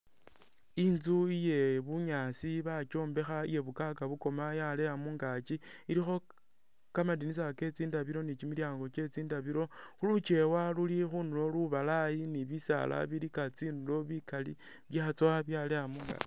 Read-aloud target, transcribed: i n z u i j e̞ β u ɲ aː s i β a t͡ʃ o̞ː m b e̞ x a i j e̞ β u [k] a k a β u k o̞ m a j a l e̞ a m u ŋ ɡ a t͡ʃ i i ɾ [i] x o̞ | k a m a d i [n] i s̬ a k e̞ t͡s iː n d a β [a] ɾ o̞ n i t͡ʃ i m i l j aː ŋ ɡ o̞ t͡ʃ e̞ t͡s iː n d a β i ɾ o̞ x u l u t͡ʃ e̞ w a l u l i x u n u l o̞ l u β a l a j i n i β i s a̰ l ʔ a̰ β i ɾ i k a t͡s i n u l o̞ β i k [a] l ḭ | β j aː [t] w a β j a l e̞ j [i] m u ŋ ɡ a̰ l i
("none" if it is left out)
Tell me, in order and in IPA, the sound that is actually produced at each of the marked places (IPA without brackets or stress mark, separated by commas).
k, i, n, i, a, t͡s, a